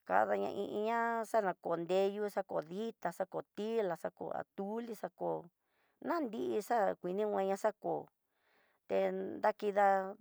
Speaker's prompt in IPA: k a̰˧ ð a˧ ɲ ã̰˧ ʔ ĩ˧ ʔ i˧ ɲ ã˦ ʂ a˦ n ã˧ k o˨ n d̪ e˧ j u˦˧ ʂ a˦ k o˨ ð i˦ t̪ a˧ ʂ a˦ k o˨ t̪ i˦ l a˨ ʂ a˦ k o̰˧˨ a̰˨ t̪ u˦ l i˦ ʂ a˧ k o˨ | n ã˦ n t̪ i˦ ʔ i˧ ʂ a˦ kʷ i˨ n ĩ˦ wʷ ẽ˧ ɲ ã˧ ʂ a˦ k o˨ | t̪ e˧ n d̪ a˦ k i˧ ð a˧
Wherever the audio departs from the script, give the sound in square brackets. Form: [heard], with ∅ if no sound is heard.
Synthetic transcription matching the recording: k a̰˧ ð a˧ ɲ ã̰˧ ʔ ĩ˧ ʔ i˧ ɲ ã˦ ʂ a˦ n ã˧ k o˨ n d̪ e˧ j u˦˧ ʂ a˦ k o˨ ð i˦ t̪ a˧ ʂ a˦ k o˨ t̪ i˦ l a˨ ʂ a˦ k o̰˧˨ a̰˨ t̪ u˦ l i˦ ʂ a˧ k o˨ | n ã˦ n [d̪] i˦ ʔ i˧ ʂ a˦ kʷ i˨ n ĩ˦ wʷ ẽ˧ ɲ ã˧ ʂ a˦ k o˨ | t̪ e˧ n d̪ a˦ k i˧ ð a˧